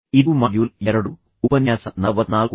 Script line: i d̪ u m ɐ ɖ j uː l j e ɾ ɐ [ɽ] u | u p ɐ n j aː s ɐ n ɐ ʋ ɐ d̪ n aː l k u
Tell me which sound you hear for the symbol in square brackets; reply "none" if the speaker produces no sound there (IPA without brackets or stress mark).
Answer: ɽ